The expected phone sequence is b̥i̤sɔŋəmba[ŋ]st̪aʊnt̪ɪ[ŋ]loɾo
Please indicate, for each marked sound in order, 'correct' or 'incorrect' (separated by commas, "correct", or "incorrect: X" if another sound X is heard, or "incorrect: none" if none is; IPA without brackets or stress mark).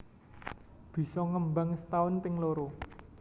correct, correct